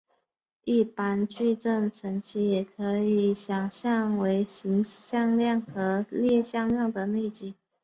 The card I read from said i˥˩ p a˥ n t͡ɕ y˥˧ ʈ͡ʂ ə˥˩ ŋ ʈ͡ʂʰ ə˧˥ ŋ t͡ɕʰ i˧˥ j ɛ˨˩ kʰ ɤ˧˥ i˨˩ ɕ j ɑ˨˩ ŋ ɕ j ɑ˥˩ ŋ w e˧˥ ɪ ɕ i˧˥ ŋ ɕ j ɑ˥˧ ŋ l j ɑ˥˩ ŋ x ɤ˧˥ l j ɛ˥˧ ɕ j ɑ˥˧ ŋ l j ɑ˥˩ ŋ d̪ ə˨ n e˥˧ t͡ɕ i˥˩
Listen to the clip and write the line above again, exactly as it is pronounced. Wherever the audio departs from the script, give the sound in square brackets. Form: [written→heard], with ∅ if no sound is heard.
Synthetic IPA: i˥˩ p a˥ n t͡ɕ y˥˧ ʈ͡ʂ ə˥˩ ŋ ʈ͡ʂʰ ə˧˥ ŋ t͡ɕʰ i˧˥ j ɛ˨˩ kʰ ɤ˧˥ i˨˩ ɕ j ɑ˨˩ ŋ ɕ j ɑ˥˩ ŋ w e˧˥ ɪ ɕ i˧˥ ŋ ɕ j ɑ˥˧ ŋ l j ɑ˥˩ ŋ x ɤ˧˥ l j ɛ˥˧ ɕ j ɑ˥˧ ŋ l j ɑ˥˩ ŋ d̪ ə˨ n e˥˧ t͡ɕ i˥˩